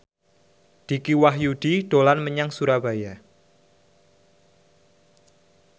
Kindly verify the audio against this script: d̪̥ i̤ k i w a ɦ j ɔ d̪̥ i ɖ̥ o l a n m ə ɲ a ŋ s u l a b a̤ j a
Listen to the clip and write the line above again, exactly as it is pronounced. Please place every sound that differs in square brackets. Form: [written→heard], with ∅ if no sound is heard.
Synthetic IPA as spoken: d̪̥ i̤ k i w a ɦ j [ɔ→u] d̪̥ i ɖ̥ o l a n m ə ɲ a ŋ s u [l→ɾ] a b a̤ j a